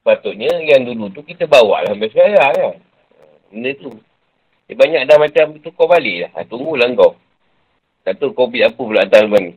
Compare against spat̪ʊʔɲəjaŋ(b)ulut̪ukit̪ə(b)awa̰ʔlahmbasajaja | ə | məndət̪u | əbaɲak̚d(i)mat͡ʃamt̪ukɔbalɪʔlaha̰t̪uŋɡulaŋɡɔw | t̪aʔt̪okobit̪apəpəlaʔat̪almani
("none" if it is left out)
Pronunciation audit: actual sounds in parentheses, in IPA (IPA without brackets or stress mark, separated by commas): d, b, a